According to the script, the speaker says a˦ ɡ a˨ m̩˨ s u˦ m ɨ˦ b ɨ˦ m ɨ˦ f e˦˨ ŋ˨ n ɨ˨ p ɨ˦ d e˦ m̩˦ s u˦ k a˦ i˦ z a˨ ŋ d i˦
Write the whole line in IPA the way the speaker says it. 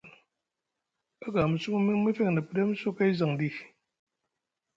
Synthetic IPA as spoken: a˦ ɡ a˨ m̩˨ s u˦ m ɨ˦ m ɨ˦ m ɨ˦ f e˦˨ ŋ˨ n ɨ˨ p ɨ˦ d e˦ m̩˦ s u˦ k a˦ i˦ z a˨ ŋ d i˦